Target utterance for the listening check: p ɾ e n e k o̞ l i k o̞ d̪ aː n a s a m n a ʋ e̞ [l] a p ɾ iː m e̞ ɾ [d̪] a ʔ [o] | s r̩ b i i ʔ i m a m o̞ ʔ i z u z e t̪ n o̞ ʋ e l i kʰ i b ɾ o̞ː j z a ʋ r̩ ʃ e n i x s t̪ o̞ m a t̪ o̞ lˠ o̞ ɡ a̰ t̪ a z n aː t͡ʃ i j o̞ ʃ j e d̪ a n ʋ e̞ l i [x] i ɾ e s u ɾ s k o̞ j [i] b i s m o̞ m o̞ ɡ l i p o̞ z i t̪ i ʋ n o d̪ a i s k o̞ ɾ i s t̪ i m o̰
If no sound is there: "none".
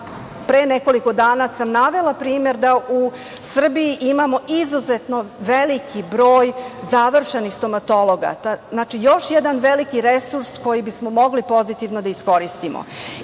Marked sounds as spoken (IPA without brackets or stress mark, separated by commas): l, d̪, u, k, i